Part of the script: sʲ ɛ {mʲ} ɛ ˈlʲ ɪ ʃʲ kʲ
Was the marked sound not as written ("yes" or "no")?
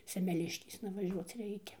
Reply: no